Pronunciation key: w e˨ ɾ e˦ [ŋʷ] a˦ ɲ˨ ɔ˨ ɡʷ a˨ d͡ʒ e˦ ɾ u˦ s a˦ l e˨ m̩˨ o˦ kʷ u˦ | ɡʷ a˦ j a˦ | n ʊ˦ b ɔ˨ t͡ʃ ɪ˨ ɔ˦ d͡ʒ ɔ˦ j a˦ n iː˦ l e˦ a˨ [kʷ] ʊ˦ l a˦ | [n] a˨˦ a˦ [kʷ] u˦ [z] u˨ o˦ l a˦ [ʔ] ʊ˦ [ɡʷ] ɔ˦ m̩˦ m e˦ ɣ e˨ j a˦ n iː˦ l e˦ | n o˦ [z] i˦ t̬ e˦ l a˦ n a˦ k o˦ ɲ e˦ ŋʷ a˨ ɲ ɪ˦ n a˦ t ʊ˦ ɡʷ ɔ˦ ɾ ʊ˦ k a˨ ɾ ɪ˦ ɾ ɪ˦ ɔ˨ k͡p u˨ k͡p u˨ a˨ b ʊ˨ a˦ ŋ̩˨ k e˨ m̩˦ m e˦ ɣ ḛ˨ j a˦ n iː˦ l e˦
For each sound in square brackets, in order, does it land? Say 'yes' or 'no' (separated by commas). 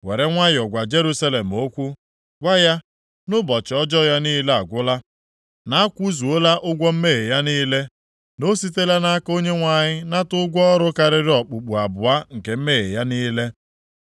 yes, no, yes, yes, yes, yes, yes, no